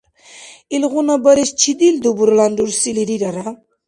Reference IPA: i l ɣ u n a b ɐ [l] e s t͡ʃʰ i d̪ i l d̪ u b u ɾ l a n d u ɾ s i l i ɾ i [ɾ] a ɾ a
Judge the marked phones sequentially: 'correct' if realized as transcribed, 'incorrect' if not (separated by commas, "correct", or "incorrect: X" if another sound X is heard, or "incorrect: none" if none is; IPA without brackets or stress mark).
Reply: incorrect: ɾ, correct